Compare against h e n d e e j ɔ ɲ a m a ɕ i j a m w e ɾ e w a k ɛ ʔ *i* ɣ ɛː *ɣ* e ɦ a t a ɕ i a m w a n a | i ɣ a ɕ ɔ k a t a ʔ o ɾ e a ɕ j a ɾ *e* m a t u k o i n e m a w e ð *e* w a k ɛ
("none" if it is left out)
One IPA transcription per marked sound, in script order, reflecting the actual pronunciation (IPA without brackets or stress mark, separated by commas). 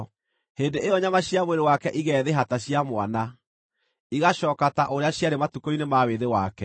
i, ð, e, e